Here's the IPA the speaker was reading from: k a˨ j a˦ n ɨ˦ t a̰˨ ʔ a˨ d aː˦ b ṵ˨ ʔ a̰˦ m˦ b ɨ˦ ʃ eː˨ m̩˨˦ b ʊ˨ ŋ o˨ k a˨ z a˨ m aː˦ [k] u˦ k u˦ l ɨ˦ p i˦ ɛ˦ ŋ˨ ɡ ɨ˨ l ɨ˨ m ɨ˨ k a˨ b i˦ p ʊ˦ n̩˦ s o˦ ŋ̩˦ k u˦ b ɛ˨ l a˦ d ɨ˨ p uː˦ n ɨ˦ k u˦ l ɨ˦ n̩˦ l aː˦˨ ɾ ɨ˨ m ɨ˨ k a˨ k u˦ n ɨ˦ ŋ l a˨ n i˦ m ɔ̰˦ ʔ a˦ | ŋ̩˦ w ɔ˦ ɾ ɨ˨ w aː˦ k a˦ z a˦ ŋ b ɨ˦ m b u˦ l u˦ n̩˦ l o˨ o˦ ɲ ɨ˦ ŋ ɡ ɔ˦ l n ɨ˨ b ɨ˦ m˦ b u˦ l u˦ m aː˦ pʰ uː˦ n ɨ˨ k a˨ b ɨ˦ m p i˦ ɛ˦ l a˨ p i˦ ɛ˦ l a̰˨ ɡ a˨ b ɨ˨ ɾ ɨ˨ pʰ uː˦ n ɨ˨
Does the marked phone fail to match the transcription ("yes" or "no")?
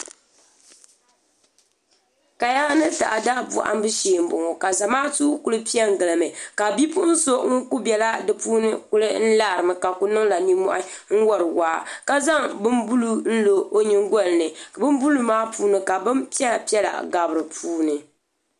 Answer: yes